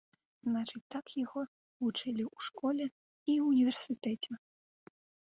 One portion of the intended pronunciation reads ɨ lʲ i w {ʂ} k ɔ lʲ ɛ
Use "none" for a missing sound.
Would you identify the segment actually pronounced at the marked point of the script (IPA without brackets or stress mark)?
ʂ